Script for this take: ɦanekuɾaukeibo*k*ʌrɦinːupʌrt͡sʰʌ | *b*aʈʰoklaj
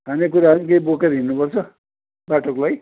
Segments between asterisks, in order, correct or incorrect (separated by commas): correct, correct